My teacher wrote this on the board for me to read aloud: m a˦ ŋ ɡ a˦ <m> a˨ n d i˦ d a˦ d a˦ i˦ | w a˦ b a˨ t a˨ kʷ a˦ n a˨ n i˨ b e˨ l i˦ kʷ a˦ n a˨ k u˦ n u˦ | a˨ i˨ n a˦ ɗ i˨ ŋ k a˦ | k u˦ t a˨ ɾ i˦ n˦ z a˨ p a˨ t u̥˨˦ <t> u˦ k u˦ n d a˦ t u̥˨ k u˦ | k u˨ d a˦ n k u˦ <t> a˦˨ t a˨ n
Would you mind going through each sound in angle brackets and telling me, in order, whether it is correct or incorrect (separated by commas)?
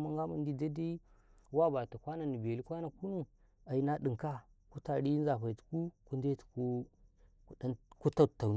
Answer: correct, incorrect, correct